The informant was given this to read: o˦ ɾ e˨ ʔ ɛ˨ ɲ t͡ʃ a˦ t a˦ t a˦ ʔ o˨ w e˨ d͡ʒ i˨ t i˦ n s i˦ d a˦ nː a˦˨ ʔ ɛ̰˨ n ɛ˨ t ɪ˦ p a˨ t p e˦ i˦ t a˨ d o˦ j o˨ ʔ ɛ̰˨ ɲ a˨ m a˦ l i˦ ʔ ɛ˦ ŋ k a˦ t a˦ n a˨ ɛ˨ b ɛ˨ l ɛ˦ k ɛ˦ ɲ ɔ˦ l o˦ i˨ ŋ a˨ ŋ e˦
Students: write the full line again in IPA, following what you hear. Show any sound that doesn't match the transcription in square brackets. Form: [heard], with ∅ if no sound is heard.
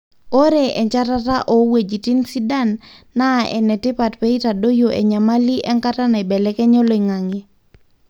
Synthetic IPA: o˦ ɾ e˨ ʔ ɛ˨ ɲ t͡ʃ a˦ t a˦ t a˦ ʔ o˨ w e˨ d͡ʒ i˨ t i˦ n s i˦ d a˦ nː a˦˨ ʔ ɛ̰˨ n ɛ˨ t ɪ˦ p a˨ t p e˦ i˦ t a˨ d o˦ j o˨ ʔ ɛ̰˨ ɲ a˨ m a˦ l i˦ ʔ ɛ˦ ŋ k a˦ t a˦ n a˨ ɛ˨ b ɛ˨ l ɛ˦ k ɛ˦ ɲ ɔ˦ l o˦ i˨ ŋ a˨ ŋ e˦